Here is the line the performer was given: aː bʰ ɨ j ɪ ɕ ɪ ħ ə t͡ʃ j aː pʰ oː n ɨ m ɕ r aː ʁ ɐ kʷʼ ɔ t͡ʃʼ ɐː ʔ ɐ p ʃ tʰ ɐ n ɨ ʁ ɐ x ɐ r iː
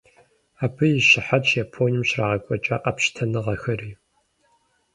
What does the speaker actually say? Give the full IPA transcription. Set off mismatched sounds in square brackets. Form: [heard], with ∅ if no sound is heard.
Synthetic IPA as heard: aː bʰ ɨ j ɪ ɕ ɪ ħ [a] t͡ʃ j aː pʰ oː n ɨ m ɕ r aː ʁ ɐ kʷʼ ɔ t͡ʃʼ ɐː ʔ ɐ p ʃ tʰ ɐ n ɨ ʁ ɐ x ɐ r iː